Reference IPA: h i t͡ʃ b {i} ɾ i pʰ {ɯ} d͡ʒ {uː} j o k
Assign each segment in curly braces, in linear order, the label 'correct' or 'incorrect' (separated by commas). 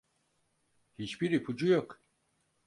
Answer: correct, incorrect, incorrect